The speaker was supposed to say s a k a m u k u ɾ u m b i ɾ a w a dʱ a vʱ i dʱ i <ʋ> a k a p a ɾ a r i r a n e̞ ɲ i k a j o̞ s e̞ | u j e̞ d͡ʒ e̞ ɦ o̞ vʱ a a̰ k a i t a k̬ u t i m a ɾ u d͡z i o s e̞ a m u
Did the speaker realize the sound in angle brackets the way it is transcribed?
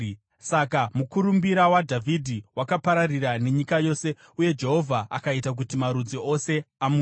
no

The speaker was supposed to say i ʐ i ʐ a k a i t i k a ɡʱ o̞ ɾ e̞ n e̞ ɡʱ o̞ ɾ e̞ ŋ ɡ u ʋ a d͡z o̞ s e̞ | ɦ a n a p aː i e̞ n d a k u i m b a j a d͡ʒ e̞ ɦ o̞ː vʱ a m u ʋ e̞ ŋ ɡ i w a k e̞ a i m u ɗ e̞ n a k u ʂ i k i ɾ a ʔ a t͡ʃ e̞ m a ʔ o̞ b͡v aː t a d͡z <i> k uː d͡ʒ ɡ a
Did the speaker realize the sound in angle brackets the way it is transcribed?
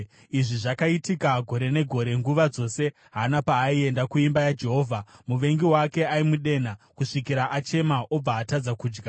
no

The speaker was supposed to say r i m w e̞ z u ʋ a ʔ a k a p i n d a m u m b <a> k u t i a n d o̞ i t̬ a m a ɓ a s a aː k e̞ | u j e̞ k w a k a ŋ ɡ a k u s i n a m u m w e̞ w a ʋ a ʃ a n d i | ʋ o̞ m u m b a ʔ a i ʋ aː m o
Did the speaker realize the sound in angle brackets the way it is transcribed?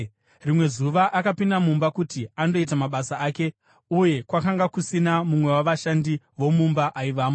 yes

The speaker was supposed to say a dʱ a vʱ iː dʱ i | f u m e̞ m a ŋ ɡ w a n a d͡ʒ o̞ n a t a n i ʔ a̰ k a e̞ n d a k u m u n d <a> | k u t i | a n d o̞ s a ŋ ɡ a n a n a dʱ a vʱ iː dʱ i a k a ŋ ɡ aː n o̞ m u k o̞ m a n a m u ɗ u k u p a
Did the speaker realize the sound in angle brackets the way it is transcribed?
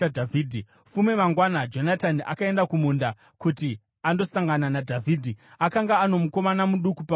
yes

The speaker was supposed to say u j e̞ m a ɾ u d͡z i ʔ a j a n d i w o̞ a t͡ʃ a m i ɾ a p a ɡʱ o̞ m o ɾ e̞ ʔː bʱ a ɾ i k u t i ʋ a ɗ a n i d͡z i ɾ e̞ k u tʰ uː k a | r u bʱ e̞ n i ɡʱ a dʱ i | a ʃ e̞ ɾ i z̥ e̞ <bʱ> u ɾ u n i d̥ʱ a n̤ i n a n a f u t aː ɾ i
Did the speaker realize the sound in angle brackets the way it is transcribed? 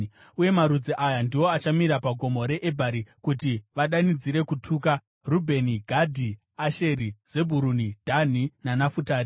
yes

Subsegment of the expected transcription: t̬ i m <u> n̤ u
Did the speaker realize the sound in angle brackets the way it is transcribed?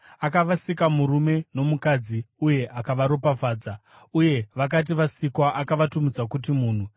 no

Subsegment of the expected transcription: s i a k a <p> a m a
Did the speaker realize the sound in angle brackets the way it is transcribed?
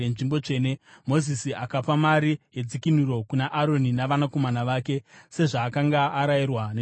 yes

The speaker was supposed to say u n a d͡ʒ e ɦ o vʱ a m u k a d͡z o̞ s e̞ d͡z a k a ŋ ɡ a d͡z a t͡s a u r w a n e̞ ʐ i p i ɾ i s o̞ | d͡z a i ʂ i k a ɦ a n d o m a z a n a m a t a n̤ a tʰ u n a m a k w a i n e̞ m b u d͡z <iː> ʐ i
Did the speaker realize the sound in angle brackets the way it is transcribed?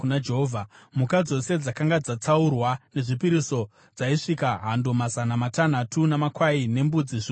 no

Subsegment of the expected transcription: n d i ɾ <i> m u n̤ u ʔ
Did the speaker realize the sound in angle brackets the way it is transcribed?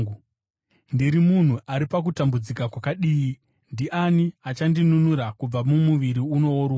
yes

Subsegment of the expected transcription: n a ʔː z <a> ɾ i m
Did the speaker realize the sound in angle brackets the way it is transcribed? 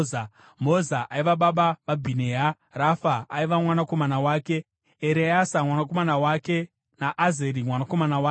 no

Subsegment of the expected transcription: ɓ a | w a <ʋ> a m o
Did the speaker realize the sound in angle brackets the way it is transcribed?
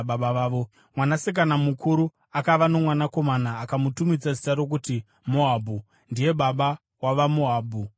yes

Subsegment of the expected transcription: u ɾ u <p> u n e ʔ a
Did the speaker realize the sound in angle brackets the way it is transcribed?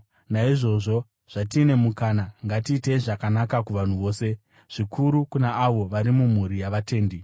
no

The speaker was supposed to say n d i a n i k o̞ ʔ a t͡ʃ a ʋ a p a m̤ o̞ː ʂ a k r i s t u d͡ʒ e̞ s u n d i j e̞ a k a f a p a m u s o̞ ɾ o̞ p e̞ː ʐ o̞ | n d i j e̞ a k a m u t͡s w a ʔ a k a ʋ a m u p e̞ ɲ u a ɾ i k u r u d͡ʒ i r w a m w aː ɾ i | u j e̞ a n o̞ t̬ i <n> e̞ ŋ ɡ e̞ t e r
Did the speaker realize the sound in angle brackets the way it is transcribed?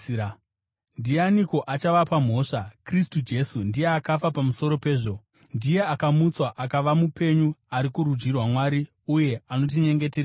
no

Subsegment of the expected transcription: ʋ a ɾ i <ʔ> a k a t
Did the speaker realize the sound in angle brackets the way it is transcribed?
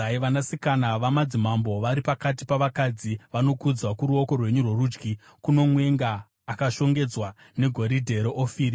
no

